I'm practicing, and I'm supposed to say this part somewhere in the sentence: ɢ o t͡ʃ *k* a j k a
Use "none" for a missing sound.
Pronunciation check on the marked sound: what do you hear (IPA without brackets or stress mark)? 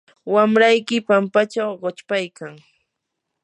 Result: p